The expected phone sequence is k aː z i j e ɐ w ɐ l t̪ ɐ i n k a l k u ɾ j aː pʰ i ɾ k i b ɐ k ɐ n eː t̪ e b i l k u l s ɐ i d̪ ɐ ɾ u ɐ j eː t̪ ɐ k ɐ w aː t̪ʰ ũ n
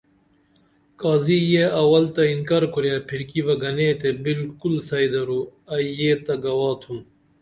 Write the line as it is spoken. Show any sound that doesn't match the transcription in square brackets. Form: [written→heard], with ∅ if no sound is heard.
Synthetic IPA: k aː z i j e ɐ w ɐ l t̪ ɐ i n k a [l→ɾ] k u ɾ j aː pʰ i ɾ k i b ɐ [k→ɡ] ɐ n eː t̪ e b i l k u l s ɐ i d̪ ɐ ɾ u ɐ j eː t̪ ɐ [k→ɡ] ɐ w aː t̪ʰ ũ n